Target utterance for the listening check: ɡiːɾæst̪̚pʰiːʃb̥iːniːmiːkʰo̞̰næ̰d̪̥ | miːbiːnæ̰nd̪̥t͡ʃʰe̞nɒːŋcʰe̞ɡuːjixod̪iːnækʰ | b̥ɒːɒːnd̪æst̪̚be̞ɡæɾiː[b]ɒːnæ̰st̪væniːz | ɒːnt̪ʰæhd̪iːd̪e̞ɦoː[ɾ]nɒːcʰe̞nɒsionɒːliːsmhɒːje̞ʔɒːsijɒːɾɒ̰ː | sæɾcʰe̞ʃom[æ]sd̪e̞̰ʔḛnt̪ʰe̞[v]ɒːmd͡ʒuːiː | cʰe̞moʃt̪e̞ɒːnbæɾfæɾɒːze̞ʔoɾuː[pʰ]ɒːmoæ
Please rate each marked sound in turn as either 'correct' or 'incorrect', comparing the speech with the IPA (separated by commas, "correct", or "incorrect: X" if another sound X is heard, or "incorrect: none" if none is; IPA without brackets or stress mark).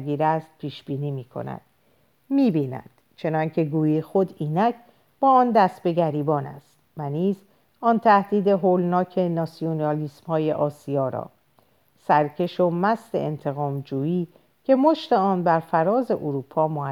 correct, incorrect: l, correct, incorrect: ɣ, correct